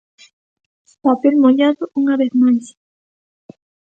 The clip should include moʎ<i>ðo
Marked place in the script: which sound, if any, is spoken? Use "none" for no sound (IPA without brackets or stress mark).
a